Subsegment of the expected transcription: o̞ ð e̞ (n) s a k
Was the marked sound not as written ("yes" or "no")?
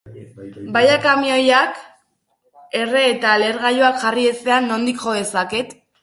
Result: yes